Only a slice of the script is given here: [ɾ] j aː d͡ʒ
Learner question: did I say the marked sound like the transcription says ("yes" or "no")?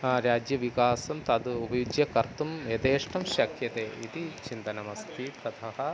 yes